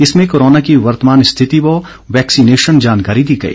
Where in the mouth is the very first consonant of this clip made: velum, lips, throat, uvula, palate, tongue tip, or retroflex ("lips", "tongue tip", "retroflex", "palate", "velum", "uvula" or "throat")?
tongue tip